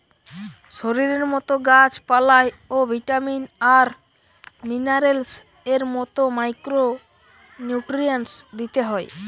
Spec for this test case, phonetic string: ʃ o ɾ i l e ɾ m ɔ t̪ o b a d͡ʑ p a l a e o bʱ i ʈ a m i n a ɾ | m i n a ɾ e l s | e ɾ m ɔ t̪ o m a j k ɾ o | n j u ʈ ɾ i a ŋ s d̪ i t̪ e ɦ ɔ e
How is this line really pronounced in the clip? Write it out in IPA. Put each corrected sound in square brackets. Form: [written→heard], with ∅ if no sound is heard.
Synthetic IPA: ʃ o ɾ i [l→ɾ] e ɾ m ɔ t̪ o [b→ɡ] a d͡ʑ p a l a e o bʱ i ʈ a m i n a ɾ | m i n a ɾ e l s | e ɾ m ɔ t̪ o m a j k ɾ o | n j u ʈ ɾ i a [ŋ→n] s d̪ i t̪ e ɦ ɔ e